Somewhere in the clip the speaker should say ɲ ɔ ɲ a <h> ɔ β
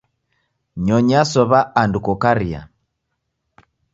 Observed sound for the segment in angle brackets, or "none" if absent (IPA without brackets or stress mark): s